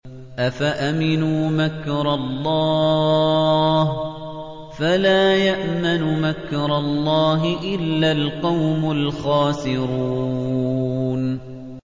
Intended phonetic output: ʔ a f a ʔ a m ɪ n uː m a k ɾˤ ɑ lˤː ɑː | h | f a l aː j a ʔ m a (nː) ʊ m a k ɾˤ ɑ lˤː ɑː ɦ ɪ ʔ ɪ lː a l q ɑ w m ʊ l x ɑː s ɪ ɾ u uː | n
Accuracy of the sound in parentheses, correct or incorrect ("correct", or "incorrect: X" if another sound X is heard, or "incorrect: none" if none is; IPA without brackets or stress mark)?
incorrect: n